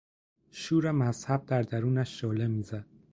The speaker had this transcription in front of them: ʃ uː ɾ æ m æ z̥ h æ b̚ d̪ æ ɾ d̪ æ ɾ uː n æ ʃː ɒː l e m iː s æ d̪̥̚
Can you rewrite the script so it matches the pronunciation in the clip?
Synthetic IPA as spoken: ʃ uː ɾ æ m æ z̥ h æ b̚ d̪ æ ɾ d̪ æ ɾ uː n æ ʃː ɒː l e m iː z æ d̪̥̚